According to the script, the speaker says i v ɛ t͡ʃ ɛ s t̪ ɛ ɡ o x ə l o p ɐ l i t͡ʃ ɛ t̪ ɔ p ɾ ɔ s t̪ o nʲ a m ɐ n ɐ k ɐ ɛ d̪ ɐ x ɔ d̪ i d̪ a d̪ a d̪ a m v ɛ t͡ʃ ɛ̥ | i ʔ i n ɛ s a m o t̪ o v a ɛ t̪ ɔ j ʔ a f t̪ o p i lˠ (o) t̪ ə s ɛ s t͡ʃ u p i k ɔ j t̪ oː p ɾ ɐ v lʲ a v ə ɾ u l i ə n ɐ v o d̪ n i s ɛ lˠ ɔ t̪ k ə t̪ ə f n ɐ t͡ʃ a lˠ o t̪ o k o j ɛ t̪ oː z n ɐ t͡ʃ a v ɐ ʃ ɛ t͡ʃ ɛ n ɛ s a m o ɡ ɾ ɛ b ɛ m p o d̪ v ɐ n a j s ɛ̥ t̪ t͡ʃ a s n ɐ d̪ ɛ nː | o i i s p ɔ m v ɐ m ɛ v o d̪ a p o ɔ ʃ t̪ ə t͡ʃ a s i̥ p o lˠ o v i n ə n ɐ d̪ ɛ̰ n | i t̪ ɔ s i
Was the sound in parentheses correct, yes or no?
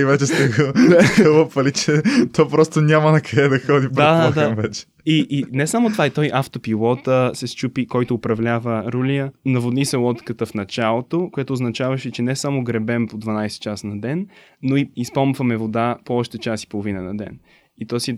no